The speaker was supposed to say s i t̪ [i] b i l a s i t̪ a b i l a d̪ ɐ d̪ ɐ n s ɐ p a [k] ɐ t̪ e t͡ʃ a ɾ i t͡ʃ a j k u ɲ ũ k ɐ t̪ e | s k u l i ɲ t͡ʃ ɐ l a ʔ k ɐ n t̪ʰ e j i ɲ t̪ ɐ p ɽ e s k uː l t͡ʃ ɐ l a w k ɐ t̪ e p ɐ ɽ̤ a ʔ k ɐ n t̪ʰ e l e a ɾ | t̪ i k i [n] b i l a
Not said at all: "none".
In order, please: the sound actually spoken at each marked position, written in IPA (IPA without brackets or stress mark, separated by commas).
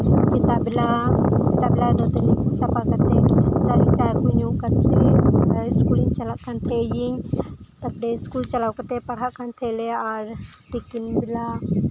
a, k, n